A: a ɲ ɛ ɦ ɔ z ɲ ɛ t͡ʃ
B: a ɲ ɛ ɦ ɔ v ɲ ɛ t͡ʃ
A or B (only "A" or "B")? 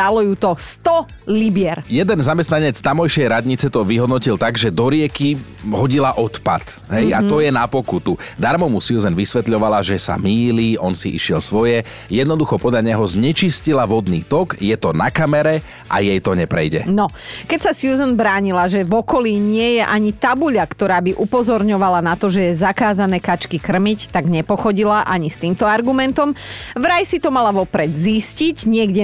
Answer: A